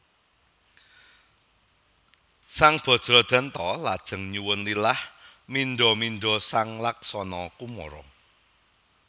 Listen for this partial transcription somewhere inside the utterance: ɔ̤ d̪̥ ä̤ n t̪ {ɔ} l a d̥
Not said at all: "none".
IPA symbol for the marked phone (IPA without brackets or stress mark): ɔ